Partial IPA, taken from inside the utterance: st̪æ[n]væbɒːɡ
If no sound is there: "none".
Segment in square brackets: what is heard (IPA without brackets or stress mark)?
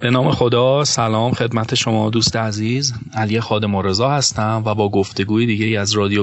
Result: m